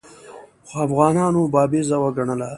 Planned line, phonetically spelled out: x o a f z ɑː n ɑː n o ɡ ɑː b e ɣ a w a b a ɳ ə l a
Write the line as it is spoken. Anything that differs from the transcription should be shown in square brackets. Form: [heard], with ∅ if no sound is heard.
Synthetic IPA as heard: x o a f [ɣ] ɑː n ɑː n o [b] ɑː b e [z] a w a [ɡ] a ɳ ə l a